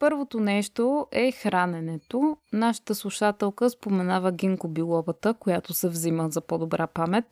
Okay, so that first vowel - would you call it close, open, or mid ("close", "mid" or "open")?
mid